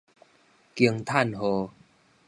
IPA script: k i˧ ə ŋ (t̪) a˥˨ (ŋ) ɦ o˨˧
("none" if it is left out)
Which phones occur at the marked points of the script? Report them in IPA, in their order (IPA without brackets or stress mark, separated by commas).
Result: t̪ʰ, n